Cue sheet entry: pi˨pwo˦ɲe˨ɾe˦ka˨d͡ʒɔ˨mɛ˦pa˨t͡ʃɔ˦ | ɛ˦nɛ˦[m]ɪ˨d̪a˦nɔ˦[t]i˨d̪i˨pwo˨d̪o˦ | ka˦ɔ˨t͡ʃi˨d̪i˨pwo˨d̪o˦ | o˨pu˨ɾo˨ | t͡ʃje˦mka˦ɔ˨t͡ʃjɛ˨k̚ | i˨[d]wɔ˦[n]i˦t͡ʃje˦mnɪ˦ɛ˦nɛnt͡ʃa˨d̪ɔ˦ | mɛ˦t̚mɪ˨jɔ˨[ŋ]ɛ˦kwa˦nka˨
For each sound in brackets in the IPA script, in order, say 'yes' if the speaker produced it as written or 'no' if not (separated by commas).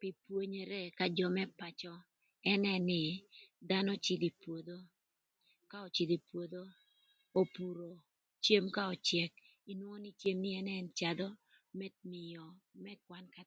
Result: no, no, no, yes, no